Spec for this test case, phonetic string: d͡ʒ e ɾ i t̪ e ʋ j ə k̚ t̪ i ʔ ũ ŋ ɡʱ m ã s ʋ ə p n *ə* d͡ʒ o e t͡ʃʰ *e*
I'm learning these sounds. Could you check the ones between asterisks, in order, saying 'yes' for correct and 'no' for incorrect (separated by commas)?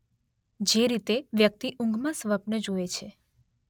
yes, yes